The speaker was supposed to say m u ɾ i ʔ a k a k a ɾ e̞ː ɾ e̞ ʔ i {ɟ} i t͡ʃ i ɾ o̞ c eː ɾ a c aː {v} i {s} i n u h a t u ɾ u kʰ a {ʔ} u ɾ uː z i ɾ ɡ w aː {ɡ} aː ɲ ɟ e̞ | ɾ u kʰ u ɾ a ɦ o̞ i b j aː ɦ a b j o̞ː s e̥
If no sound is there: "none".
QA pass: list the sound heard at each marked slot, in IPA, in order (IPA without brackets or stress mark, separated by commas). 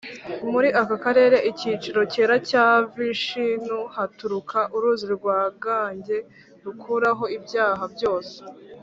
c, v, ʃ, ʔ, ɡ